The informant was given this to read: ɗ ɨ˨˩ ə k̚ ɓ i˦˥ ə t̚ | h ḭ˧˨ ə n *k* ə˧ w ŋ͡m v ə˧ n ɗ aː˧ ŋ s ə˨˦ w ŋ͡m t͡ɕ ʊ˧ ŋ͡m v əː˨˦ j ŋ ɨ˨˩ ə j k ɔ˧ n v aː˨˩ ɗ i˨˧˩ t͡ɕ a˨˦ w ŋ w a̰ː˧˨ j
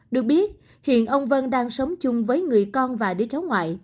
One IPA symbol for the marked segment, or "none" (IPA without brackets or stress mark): ʔ